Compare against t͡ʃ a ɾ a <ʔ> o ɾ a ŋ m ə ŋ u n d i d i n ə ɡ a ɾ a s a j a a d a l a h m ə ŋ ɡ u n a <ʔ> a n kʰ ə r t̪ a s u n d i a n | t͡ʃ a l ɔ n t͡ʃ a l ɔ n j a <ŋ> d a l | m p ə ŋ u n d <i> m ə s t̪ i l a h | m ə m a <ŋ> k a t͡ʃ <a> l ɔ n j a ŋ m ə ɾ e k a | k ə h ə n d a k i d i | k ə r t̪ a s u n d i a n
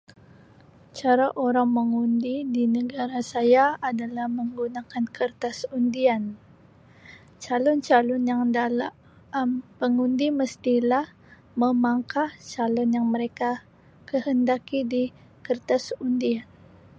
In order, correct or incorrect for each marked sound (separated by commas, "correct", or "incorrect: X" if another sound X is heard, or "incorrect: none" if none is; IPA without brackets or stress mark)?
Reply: correct, incorrect: k, correct, correct, correct, correct